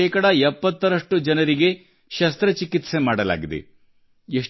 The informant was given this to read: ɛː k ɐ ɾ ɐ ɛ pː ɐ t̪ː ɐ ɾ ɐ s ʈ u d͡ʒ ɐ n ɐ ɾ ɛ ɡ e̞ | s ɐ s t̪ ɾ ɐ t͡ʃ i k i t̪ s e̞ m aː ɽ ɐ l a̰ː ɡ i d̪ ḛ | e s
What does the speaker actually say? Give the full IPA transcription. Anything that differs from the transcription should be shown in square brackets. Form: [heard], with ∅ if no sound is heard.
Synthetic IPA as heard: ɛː k ɐ [ɽ] ɐ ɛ pː ɐ t̪ː ɐ ɾ ɐ [ʂ] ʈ u d͡ʒ ɐ n ɐ ɾ [i] ɡ e̞ | [ʃ] ɐ s t̪ ɾ ɐ t͡ʃ i k i t̪ s e̞ m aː ɽ ɐ l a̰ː ɡ i d̪ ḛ | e [ʂ]